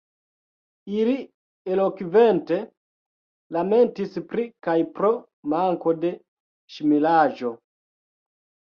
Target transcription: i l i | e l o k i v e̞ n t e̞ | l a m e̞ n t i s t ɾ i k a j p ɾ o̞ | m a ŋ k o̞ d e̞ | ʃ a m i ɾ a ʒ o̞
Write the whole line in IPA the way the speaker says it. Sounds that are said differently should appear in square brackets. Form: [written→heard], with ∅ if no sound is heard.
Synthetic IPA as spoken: i l i | e l o k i v e̞ n t e̞ | l a m e̞ n t i s [t→p] ɾ i k a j p ɾ o̞ | m a ŋ k o̞ d e̞ | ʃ [a→i] m i [ɾ→l] a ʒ o̞